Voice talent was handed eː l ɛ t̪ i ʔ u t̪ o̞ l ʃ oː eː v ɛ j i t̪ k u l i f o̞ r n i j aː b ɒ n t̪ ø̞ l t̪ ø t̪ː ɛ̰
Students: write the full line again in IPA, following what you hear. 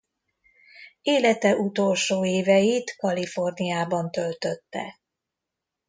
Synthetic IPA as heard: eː l ɛ t̪ ɛ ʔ u t̪ o̞ l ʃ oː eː v ɛ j i t̪ k ɒ l i f o̞ r n i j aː b ɒ n t̪ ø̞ l t̪ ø t̪ː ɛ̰